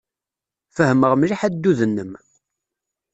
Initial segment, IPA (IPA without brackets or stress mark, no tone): f